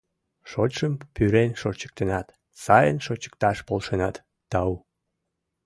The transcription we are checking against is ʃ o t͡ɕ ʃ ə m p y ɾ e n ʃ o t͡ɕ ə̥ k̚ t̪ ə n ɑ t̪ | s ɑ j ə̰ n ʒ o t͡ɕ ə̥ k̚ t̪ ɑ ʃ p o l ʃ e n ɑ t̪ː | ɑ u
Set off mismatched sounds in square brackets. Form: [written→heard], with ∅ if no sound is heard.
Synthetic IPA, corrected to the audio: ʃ o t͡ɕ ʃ ə m p y ɾ e n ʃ o t͡ɕ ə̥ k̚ t̪ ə n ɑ t̪ | s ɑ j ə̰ n [ʒ→ʃ] o t͡ɕ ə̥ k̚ t̪ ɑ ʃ p o l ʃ e n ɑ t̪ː | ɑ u